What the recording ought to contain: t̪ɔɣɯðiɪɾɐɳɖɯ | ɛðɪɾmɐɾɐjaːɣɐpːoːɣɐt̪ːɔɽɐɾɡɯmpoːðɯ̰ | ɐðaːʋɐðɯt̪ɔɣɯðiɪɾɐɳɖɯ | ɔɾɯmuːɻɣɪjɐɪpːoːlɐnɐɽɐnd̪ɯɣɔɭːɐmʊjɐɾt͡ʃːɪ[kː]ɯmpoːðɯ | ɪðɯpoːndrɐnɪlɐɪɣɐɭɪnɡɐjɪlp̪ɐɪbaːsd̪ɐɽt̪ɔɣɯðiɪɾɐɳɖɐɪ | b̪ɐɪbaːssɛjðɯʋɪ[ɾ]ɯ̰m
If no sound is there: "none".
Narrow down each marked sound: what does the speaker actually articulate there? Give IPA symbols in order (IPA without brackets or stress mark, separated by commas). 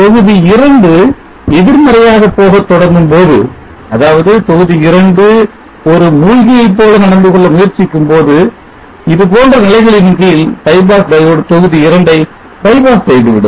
kː, ɽ